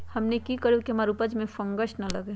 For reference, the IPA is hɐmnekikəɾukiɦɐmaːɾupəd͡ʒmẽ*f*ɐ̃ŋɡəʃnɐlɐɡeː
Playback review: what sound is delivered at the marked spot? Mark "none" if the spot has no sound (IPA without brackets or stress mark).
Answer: f